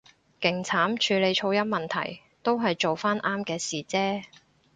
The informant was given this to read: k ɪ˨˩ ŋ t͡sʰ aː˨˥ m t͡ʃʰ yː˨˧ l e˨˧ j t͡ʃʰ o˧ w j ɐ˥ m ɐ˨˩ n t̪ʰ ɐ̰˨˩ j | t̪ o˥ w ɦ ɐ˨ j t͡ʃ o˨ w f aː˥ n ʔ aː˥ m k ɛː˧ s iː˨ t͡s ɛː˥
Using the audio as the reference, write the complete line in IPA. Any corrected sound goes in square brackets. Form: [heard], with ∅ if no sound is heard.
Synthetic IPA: k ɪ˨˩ ŋ t͡sʰ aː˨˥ m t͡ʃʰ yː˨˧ l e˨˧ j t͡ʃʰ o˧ w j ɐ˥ m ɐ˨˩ n t̪ʰ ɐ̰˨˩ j | t̪ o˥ w ɦ ɐ˨ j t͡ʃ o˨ w f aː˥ n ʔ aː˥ m k ɛː˧ s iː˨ t͡s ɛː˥